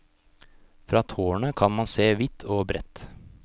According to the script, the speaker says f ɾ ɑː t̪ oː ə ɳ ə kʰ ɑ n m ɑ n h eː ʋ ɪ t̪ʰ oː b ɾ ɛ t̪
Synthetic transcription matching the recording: f ɾ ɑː t̪ʰ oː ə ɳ ə kʰ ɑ n m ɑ n s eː ʋ ɪ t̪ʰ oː b ɾ ɛ t̪